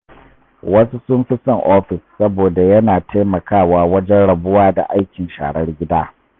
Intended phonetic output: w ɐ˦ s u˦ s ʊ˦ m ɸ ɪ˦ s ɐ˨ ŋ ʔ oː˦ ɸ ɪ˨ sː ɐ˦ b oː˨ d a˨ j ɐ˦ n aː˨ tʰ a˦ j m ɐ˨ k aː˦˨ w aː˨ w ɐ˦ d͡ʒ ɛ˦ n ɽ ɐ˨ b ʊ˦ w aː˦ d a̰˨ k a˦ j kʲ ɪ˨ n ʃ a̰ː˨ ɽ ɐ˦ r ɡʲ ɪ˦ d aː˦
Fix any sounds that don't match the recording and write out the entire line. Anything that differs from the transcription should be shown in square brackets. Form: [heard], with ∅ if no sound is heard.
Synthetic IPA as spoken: w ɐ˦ s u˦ s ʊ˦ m ɸ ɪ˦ s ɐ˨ ŋ ʔ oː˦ ɸ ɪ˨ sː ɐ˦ b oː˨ d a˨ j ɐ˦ n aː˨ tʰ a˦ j m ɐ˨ k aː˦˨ w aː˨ w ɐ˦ d͡ʒ ɛ˦ n ɽ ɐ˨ b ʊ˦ w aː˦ d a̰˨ [ʔ] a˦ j kʲ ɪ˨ n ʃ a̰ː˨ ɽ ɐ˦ r ɡʲ ɪ˦ d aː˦